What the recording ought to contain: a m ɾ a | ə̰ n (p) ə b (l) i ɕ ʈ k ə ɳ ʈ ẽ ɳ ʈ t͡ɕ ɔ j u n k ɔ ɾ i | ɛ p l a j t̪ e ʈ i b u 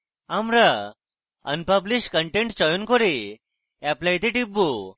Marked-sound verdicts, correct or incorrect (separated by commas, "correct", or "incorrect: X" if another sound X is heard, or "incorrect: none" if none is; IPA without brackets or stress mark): correct, correct